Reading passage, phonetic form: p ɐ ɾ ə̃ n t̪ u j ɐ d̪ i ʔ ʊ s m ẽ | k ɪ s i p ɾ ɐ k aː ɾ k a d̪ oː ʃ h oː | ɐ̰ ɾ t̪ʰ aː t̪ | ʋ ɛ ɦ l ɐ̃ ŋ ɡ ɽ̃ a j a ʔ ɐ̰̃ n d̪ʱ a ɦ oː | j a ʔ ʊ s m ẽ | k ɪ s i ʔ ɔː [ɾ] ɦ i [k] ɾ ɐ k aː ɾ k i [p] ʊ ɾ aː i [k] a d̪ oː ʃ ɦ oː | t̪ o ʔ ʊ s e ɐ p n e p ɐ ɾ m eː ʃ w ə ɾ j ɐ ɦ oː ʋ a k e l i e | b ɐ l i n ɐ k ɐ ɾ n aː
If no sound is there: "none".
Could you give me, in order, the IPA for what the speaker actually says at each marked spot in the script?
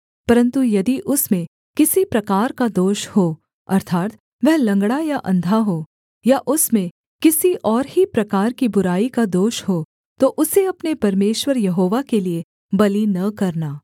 ɾ, p, b, k

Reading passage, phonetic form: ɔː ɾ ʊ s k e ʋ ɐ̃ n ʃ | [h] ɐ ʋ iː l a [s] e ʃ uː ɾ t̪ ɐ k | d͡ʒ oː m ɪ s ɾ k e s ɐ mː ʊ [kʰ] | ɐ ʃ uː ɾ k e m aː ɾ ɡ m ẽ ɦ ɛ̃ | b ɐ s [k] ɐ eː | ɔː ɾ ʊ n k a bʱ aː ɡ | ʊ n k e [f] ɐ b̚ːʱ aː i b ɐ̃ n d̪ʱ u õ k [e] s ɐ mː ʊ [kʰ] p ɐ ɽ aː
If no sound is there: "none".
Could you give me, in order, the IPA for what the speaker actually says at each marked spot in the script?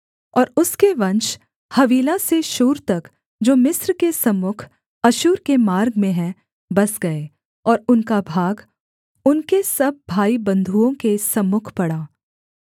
h, s, kʰ, ɡ, s, e, kʰ

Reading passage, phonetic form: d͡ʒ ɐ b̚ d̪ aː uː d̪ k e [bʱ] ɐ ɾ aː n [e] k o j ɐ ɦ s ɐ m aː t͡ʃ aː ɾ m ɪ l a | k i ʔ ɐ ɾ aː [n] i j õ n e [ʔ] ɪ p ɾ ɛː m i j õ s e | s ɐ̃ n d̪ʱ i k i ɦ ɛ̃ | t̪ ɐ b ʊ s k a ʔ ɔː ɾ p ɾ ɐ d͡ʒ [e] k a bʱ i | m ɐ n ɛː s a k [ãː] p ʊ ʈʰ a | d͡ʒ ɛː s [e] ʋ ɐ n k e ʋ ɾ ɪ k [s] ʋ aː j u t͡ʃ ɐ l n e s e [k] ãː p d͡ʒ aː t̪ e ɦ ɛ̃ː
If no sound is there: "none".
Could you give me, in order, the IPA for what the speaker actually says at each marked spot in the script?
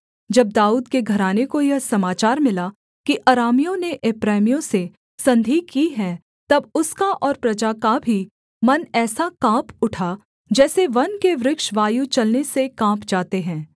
ɡʱ, e, m, ʔ, a, ãː, e, ʃ, k

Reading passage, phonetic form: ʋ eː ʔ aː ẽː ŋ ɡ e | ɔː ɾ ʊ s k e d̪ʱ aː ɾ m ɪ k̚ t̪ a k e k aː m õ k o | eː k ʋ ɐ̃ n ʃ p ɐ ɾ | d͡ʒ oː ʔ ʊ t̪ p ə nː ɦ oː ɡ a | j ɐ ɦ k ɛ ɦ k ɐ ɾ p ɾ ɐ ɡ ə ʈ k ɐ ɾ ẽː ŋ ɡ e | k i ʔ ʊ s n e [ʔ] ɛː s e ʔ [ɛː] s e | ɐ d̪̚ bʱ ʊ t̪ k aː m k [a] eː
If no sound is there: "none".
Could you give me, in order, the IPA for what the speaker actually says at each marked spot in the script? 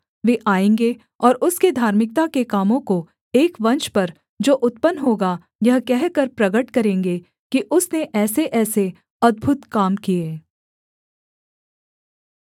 ʔ, ɛː, i

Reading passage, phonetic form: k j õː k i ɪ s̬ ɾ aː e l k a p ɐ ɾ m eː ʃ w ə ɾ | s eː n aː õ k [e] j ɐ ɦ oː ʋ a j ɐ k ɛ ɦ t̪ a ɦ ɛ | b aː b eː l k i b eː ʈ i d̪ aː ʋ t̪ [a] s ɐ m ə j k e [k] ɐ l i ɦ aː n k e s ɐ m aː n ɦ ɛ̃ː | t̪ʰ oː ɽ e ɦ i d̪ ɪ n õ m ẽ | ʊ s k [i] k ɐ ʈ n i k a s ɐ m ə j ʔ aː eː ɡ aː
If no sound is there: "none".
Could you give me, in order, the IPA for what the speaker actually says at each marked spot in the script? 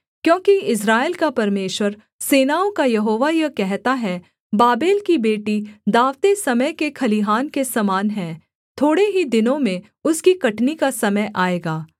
a, e, kʰ, i

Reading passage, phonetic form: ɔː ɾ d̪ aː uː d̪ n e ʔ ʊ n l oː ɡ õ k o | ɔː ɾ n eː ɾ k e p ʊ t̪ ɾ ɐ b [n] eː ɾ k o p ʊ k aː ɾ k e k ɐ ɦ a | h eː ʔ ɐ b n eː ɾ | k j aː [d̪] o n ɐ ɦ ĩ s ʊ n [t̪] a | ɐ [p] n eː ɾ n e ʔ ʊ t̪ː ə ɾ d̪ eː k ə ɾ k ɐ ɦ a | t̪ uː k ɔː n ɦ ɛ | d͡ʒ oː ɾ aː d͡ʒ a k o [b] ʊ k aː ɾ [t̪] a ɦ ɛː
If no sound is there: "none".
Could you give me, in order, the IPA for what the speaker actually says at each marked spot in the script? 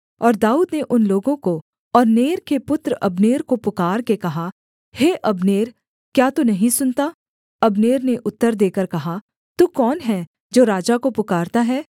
n, t̪, t̪, b, p, t̪

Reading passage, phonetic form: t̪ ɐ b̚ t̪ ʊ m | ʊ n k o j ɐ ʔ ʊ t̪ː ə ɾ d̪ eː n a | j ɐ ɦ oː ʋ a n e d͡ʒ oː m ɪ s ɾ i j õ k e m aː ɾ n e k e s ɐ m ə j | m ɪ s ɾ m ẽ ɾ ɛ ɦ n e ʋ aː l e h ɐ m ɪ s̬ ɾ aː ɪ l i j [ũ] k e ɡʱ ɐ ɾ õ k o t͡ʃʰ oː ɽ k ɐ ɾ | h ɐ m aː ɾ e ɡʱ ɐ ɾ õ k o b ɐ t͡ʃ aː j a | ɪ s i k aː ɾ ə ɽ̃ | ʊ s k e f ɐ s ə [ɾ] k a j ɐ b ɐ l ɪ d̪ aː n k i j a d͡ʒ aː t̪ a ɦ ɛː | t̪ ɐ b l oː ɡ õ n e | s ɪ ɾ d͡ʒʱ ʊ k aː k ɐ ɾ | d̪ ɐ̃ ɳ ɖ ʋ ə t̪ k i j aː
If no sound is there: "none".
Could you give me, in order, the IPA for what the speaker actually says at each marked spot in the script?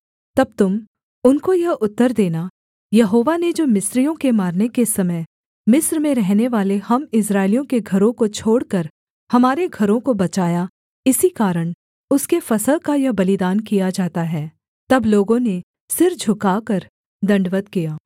õ, l

